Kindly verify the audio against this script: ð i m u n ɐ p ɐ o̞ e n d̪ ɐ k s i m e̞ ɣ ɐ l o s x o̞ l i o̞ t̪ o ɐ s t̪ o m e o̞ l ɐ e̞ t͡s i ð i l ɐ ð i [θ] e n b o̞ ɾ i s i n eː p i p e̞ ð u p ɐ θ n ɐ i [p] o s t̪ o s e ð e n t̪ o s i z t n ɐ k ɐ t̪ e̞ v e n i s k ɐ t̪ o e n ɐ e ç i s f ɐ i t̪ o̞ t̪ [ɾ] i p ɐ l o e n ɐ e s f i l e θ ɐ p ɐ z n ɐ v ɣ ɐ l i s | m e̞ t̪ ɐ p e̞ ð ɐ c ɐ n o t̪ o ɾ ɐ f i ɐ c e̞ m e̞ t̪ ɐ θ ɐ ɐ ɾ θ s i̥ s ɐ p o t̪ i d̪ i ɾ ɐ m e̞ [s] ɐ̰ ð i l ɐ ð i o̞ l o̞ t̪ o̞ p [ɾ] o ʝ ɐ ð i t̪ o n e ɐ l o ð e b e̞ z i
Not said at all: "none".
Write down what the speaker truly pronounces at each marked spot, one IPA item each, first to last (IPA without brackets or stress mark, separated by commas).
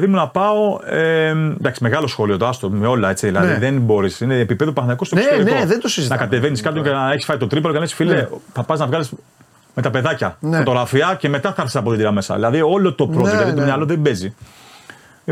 ð, k, ɾ, s, ɾ